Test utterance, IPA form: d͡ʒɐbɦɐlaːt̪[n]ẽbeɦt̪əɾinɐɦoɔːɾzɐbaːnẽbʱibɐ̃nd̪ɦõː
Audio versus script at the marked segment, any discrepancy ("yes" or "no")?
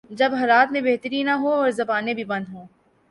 yes